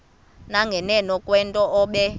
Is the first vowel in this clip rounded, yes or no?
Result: no